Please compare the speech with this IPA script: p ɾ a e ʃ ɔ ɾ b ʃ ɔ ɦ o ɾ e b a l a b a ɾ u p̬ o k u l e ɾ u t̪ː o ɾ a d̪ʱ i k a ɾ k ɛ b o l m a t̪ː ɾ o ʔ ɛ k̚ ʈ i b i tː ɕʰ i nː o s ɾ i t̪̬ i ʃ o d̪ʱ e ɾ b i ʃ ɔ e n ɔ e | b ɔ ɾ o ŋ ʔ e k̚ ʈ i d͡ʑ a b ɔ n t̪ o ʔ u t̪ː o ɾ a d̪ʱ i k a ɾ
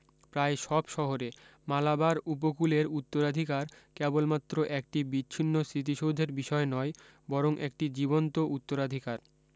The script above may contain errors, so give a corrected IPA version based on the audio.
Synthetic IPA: p ɾ a e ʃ ɔ b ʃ ɔ ɦ o ɾ e m a l a b a ɾ u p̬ o k u l e ɾ u t̪ː o ɾ a d̪ʱ i k a ɾ k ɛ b o l m a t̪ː ɾ o ʔ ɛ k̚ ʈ i b i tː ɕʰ i nː o s ɾ i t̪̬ i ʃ o d̪ʱ e ɾ b i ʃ ɔ e n ɔ e | b ɔ ɾ o ŋ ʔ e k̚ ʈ i d͡ʑ i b o n t̪ o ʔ u t̪ː o ɾ a d̪ʱ i k a ɾ